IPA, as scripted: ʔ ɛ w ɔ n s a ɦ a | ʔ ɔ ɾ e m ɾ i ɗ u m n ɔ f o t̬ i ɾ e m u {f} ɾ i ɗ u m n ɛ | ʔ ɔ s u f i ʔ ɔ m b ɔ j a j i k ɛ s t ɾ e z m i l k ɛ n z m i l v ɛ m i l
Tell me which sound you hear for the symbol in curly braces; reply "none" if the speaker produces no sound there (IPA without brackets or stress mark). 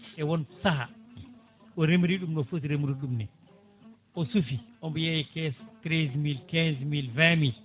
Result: none